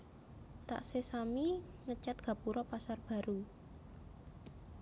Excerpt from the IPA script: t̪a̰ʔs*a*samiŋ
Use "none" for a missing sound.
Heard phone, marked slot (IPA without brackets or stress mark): e